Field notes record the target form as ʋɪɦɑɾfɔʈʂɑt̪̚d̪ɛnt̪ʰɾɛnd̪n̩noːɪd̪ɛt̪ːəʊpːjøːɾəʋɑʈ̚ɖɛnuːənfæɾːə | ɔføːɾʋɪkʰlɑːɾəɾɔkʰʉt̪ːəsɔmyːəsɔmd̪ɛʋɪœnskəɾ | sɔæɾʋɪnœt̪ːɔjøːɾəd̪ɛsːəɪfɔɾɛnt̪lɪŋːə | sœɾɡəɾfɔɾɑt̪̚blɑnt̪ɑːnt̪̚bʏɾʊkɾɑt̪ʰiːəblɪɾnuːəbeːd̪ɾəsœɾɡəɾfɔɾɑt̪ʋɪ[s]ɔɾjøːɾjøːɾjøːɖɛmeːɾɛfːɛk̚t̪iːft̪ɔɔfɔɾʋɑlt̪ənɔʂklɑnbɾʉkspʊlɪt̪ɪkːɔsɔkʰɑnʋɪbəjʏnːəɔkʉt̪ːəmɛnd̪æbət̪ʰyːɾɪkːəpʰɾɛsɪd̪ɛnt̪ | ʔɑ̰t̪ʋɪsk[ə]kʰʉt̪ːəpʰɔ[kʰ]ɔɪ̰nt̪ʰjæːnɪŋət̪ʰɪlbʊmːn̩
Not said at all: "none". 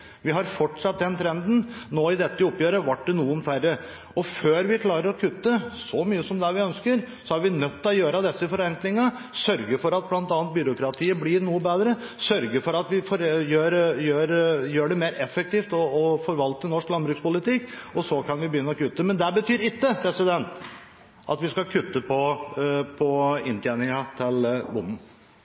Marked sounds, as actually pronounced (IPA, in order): f, ɑ, pʰ

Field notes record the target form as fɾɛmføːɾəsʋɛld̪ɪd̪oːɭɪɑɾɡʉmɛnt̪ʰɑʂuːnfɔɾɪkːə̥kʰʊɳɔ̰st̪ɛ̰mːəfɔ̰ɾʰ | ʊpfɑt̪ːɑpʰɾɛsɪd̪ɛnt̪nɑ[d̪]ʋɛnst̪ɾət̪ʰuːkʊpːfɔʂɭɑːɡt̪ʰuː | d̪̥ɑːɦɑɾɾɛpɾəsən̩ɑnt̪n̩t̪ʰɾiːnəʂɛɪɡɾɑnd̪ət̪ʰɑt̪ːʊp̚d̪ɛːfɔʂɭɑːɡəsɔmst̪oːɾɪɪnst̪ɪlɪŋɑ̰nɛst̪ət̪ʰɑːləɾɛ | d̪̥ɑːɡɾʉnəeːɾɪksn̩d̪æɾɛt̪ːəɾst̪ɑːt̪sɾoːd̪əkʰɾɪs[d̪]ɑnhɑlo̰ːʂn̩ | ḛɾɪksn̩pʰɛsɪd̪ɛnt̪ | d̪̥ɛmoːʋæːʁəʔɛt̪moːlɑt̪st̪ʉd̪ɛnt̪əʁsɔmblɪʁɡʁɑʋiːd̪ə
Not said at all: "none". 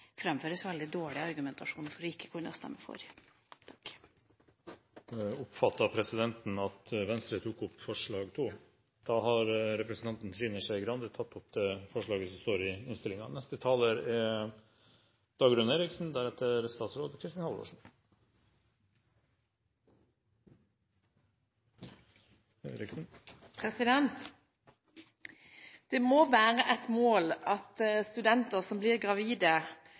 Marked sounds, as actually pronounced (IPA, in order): t̪, t̪

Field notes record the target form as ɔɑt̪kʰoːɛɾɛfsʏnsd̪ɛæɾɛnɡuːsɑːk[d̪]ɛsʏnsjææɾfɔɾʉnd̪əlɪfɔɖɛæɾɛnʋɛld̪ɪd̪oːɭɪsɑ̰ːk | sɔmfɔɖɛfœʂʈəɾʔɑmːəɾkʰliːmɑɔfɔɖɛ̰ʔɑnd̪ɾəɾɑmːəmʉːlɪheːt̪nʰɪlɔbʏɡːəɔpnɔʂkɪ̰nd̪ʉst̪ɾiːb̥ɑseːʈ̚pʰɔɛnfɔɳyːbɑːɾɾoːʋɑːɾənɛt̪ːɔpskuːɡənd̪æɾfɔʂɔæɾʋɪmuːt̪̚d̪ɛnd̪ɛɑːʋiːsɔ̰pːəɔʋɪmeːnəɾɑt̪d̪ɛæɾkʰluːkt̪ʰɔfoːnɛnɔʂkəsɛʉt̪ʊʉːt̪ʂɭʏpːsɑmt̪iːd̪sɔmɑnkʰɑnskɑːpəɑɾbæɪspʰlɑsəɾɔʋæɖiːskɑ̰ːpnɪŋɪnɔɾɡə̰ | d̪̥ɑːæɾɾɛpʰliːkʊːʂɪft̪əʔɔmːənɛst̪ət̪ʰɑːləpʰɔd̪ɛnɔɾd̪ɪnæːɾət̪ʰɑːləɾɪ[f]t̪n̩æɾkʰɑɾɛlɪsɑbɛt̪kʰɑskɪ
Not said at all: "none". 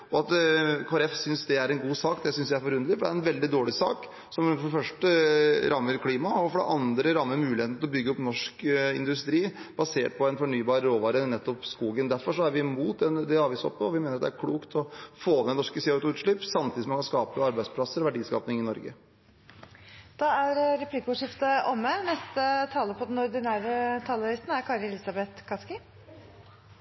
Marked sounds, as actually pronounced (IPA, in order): d̪, s

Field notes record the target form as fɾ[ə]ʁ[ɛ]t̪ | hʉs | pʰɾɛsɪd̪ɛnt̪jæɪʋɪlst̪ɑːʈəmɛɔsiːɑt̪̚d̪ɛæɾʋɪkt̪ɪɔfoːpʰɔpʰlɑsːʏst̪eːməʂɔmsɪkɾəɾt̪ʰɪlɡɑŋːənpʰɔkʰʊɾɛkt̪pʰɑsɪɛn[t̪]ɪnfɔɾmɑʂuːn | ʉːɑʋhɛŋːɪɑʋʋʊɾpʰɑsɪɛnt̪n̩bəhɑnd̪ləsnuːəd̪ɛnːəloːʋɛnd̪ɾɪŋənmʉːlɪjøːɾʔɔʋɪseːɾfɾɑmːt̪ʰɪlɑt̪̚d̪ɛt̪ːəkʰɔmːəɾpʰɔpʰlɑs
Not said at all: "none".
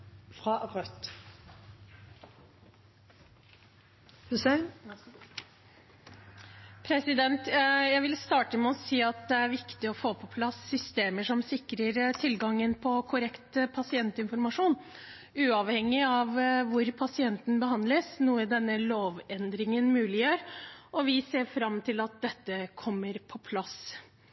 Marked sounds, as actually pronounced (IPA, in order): ɑ, œ, t̪

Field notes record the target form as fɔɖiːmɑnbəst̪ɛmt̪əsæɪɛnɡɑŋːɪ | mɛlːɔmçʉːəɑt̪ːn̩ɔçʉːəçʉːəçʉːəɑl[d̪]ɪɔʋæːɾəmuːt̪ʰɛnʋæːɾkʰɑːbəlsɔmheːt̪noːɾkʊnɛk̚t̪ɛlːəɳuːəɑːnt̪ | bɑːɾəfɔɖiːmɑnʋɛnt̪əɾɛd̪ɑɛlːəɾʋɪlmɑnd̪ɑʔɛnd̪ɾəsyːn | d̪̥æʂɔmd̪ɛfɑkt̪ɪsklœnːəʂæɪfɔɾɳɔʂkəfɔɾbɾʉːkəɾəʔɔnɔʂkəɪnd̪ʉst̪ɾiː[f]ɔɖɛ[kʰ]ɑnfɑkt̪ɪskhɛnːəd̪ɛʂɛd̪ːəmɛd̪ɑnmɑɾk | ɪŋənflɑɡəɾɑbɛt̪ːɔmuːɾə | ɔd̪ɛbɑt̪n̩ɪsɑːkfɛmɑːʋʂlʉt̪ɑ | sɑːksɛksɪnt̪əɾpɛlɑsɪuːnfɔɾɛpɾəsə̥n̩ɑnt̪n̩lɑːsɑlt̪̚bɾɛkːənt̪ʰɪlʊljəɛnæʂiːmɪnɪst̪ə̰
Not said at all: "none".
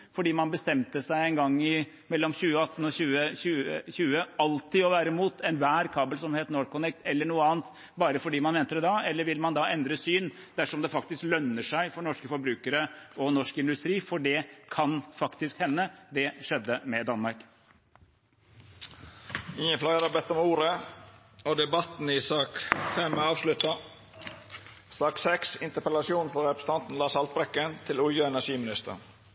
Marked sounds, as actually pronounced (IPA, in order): t̪, f, kʰ

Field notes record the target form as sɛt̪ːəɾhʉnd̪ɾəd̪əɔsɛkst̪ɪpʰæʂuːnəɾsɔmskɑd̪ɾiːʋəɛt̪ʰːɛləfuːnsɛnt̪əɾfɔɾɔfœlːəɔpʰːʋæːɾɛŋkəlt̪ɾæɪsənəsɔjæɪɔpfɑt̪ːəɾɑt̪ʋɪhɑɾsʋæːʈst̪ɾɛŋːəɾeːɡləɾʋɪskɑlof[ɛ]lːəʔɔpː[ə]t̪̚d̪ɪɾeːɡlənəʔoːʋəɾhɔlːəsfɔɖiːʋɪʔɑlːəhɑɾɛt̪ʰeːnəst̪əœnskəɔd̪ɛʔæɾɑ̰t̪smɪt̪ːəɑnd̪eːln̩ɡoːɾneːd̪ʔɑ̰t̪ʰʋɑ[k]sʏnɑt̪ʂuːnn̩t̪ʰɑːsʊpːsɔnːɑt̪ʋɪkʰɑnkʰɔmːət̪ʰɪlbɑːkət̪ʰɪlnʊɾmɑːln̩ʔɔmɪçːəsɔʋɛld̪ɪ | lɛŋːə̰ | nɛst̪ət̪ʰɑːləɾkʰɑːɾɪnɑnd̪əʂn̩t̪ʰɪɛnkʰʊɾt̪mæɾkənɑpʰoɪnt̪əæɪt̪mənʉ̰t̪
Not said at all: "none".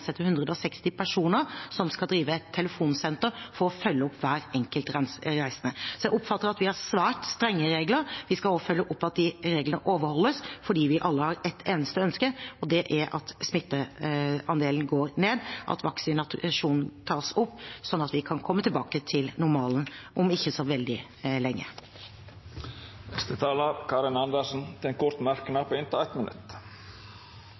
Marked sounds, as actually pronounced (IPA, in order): œ, ɑ, k

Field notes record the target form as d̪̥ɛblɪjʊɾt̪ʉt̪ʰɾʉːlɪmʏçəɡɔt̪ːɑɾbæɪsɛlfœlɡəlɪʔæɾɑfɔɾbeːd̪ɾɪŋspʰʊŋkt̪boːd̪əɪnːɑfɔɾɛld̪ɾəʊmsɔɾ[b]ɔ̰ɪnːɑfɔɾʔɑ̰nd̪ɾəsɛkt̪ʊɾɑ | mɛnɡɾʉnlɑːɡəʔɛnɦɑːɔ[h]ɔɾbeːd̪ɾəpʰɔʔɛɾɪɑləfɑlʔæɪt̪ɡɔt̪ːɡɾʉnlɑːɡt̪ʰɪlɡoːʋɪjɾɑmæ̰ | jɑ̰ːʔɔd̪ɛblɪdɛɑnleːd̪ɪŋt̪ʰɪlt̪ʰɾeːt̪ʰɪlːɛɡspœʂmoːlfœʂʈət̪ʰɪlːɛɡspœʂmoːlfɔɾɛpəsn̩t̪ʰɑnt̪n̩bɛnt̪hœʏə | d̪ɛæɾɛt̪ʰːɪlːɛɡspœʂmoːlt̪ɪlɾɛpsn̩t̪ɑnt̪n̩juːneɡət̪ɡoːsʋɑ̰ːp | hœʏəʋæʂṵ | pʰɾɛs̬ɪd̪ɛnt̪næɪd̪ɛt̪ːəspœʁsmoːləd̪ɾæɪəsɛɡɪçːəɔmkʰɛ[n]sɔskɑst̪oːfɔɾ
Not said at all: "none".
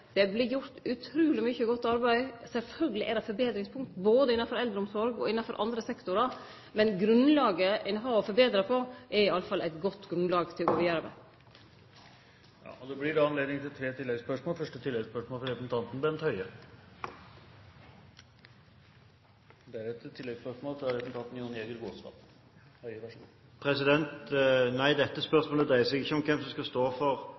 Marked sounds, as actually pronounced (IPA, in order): ɡ, f, m

